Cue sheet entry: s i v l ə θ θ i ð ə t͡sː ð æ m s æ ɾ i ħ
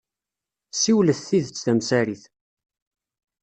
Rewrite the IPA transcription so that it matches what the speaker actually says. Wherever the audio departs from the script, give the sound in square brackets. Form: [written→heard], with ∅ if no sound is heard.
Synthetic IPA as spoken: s i [v→w] l ə θ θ i ð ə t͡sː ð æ m s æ ɾ i [ħ→θ]